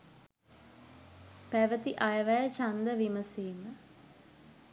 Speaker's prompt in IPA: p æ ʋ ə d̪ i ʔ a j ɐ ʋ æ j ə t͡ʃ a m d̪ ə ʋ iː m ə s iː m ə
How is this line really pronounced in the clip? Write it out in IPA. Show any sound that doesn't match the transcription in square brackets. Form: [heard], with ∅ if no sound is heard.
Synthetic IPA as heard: p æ ʋ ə [t̪] i ʔ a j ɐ ʋ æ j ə t͡ʃ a [n] d̪ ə ʋ [i] m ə s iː m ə

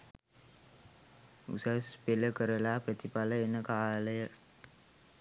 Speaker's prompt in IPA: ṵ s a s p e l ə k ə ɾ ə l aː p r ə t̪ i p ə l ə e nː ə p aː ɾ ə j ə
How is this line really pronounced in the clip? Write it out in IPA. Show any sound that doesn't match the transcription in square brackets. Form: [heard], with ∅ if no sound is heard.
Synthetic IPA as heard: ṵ s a s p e l ə k ə ɾ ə l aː p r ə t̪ i p [a] l ə e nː ə [k] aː [l] ə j ə

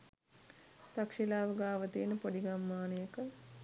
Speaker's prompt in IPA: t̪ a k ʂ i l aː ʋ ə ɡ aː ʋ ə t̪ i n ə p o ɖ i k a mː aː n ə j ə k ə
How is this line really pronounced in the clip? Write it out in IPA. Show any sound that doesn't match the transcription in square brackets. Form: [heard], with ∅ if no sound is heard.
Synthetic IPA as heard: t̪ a k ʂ i l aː ʋ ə ɡ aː ʋ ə t̪ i n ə p o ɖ i [ɡ] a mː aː n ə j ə k ə

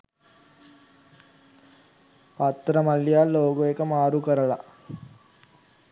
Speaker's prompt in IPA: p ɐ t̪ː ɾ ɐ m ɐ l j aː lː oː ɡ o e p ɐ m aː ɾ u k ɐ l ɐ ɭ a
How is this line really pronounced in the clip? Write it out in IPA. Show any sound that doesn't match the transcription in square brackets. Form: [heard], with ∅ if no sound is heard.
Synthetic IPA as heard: p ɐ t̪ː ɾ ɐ m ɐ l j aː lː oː ɡ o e [k] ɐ m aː ɾ u k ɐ [ɾ] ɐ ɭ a

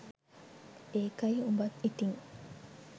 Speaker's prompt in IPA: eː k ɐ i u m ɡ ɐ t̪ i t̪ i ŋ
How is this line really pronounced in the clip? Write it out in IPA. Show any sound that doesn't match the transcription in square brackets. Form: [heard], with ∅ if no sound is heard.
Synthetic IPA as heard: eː k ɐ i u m [b] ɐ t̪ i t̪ i ŋ

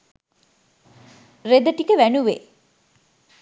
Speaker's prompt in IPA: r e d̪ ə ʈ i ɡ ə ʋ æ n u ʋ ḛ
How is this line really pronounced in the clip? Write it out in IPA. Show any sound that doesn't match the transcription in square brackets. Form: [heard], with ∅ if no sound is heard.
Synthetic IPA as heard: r e d̪ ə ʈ i [k] ə ʋ æ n u ʋ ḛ

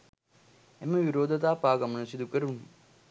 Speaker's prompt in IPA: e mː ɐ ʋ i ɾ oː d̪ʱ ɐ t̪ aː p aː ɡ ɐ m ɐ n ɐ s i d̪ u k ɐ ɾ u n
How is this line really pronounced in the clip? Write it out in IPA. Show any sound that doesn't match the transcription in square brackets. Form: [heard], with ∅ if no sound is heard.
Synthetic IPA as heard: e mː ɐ ʋ i ɾ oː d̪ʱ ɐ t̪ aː p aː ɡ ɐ m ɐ n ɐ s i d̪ u k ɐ ɾ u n

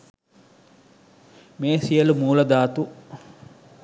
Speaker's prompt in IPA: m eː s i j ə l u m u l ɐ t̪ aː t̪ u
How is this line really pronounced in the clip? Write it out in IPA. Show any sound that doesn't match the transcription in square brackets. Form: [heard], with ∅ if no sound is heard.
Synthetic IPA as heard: m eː s i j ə l u m [uː] l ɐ [d̪] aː t̪ u

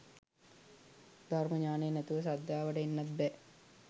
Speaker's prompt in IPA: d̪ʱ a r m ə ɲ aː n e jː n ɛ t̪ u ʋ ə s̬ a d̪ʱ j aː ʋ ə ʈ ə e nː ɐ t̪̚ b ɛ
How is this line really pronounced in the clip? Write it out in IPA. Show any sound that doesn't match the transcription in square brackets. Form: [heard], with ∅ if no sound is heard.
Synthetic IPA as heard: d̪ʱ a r m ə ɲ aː n e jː n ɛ t̪ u ʋ ə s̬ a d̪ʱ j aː ʋ ə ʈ ə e nː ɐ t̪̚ b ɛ

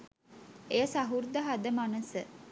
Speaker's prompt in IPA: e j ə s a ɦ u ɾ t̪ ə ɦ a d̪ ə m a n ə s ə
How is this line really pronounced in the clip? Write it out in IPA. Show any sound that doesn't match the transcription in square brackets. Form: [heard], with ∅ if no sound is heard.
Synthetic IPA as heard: e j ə s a ɦ u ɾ [d̪] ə ɦ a d̪ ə m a n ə s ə

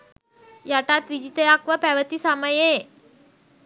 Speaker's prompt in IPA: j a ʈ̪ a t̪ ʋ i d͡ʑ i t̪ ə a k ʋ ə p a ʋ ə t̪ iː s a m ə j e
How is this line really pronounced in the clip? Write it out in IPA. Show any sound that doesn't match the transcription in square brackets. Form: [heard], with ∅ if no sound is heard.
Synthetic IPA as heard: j a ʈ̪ a t̪ ʋ i d͡ʑ i t̪ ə a k ʋ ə p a ʋ ə t̪ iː s a m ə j e

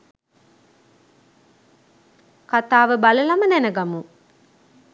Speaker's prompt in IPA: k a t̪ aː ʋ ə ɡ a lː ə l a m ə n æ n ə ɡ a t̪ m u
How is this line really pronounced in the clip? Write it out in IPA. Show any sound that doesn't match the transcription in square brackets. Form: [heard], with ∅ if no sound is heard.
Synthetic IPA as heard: k a t̪ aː ʋ ə [b] a [l] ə l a m ə n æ n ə ɡ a [∅] m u

